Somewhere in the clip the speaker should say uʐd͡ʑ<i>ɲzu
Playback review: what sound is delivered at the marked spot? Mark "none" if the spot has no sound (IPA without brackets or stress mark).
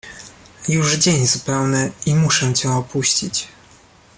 e